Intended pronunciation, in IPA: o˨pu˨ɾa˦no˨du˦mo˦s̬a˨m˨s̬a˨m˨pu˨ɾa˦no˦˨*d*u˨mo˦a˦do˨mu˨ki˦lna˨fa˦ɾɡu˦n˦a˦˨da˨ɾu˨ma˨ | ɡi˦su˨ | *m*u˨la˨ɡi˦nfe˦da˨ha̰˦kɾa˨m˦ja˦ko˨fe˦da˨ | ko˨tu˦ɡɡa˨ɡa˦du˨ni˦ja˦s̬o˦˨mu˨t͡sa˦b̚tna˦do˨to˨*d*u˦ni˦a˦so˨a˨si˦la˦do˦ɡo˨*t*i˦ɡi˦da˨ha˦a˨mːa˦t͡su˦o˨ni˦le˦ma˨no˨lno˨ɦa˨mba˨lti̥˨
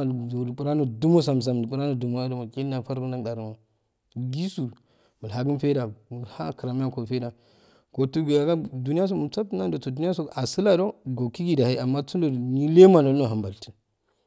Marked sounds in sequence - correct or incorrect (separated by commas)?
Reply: correct, correct, correct, incorrect